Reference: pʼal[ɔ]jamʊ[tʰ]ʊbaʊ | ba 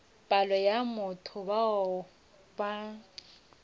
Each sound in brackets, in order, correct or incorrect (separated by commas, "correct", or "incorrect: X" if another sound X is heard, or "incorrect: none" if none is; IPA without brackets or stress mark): correct, correct